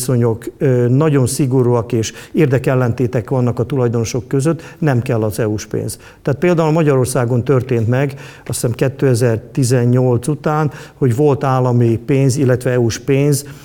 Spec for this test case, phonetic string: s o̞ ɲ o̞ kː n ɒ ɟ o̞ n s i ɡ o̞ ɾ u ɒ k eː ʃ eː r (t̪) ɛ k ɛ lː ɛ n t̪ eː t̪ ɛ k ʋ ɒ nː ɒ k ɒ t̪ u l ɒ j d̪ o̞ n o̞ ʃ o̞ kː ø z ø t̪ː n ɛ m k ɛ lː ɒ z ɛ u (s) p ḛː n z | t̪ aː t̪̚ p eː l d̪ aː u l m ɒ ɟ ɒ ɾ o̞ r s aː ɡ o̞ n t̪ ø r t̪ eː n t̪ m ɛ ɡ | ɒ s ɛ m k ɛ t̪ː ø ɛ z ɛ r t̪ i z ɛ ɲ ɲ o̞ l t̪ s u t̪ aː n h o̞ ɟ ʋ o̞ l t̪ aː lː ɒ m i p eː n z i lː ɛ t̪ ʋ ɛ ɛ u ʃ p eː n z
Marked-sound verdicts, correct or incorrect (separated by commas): incorrect, incorrect